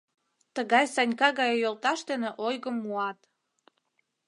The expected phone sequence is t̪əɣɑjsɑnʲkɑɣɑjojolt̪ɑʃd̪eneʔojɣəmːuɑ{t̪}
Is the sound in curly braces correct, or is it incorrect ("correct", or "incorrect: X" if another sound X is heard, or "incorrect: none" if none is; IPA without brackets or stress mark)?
correct